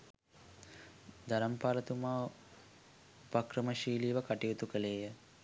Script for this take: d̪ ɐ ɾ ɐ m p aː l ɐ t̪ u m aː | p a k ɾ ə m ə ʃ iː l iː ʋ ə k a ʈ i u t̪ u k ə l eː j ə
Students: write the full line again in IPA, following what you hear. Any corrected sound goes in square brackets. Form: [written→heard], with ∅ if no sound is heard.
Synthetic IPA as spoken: d̪ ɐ ɾ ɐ m p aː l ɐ t̪ u m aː | p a k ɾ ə m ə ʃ iː l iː ʋ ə k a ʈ i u t̪ u k ə l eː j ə